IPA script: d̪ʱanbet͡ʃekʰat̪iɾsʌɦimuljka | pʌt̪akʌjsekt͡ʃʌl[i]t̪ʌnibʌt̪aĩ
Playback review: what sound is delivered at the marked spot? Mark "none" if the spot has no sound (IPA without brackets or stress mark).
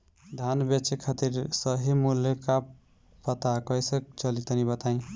i